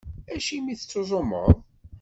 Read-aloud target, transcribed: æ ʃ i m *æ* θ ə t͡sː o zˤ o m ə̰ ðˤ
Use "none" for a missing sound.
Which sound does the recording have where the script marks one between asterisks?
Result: i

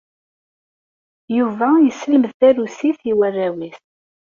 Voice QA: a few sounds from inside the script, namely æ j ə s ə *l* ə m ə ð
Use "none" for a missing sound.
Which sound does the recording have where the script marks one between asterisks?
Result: l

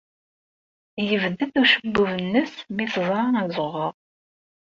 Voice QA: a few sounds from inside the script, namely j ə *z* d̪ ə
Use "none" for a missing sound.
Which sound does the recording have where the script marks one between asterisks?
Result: v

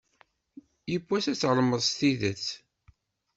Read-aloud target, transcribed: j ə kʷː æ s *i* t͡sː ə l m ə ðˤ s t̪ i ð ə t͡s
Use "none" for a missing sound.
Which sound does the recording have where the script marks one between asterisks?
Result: æ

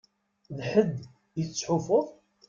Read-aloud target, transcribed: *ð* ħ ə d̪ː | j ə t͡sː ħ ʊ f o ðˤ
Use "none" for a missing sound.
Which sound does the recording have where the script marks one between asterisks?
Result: ð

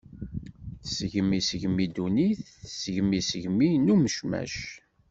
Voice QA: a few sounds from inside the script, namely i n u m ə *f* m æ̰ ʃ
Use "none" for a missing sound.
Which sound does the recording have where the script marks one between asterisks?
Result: ʃ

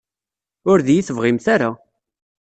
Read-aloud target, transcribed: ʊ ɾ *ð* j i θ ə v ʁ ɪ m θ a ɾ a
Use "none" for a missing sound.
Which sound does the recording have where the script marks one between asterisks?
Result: ð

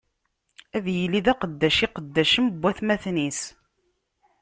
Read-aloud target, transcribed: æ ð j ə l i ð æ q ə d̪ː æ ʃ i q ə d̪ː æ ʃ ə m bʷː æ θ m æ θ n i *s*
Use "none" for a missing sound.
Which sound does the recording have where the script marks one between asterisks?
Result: s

